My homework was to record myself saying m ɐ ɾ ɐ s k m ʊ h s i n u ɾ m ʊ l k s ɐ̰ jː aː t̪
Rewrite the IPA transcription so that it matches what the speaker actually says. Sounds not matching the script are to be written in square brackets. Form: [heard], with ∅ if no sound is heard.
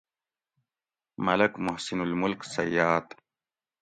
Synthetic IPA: m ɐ [l] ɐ [∅] k m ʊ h s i n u [l] m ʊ l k s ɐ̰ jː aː t̪